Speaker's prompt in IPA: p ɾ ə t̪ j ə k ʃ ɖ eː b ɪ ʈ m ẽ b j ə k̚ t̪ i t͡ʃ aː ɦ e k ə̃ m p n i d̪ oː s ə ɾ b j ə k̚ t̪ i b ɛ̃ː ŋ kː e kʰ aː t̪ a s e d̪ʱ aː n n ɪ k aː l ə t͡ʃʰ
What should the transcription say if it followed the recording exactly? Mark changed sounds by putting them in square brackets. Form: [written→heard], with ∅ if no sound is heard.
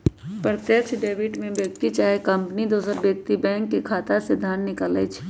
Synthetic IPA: p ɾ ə t̪ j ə k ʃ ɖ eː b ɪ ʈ m ẽ b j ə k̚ t̪ i t͡ʃ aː ɦ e k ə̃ m p n i d̪ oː s ə ɾ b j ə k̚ t̪ i b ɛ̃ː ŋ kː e kʰ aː t̪ a s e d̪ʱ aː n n ɪ k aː l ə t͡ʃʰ